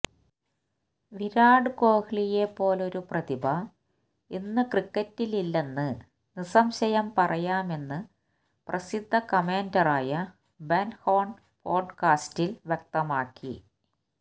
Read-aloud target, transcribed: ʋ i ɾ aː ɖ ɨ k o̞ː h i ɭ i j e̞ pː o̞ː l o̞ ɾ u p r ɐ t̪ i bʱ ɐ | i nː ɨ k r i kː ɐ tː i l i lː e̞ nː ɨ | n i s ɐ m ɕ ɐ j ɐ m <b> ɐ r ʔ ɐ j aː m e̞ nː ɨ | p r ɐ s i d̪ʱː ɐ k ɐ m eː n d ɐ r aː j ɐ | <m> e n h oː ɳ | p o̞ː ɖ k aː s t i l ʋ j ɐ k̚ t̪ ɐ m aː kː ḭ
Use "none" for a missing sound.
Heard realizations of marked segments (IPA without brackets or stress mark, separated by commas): p, b